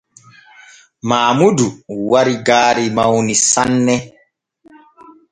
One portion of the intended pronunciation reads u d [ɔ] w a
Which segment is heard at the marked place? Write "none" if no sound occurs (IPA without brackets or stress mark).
u